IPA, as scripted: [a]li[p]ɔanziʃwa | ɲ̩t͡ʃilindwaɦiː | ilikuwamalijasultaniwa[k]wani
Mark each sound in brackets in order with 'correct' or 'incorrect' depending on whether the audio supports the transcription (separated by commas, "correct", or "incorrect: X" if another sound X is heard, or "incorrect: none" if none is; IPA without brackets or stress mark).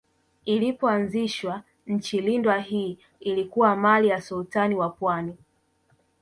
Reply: incorrect: i, correct, incorrect: p